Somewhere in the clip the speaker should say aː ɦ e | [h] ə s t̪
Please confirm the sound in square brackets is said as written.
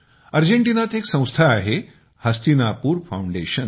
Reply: yes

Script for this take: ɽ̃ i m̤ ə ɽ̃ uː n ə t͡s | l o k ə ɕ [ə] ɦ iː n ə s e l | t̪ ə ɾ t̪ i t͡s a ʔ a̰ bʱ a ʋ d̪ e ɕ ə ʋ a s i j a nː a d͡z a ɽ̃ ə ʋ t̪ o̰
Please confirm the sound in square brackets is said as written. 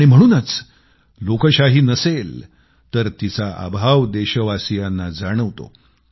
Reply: no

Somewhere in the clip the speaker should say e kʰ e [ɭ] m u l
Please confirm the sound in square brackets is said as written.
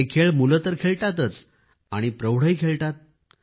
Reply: yes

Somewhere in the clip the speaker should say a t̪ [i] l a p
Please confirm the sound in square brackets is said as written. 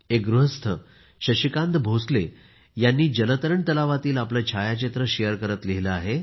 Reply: no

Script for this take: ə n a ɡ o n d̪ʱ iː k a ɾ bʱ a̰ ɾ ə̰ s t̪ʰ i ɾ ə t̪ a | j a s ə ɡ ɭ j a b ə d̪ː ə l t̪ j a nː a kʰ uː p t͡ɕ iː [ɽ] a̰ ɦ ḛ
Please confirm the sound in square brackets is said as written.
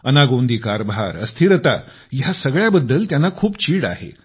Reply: yes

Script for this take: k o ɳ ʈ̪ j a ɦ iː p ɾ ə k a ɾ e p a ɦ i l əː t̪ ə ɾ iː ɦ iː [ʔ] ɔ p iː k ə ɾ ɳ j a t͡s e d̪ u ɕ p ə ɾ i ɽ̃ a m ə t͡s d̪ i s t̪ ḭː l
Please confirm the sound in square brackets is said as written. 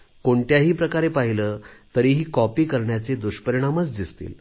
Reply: no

